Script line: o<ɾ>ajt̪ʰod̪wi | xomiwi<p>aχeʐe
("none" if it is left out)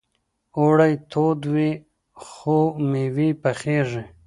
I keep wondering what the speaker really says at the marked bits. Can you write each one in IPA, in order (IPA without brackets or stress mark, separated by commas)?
ɽ, p